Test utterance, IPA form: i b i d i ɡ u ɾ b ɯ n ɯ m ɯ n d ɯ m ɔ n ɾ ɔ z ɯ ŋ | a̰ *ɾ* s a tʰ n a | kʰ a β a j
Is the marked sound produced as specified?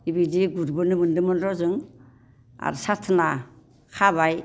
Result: yes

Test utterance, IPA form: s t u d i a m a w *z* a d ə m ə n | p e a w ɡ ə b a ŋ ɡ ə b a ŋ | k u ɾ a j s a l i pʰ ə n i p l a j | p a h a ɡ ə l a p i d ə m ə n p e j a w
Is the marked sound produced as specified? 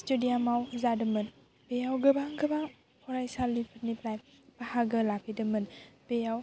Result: yes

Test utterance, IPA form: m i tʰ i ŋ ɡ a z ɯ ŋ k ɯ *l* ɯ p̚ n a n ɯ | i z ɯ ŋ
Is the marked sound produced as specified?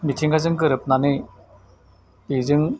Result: no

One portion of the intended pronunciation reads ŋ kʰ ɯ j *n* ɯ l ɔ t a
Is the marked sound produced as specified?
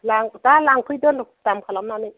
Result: no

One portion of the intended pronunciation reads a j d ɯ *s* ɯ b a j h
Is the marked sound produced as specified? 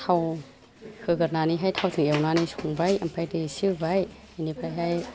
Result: yes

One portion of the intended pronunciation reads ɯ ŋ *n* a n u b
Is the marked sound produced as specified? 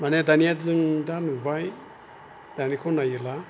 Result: no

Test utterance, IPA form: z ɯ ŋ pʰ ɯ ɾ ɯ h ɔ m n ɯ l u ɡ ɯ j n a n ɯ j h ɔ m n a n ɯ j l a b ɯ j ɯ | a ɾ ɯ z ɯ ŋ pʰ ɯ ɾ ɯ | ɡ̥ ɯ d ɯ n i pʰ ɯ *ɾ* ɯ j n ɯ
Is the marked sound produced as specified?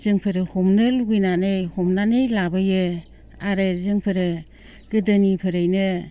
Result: yes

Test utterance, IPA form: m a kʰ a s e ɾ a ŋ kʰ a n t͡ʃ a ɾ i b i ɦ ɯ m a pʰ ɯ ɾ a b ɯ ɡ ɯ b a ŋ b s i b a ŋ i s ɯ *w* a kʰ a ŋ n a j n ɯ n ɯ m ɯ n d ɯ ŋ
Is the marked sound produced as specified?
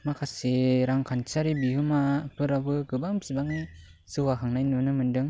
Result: yes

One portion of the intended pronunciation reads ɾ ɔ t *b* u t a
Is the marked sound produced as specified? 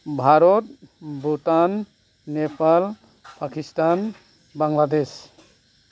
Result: yes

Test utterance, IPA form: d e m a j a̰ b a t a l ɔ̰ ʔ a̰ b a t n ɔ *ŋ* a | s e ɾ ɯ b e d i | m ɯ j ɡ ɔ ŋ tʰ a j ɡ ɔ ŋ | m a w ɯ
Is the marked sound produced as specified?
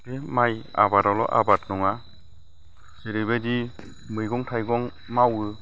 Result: yes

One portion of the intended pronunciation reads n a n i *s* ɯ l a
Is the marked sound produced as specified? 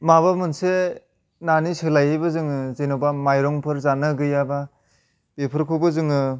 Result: yes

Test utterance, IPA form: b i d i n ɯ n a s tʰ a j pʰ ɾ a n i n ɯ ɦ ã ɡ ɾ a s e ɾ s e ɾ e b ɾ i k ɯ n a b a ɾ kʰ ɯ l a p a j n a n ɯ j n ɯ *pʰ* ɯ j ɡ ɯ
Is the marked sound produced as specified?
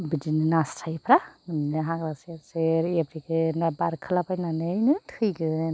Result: no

